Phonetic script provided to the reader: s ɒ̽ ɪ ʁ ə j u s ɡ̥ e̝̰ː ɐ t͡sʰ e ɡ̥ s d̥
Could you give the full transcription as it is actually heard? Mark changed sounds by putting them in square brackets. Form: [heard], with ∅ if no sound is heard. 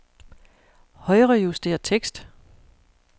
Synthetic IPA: [h] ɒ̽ ɪ ʁ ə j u s [d̥] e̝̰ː ɐ t͡sʰ e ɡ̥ s d̥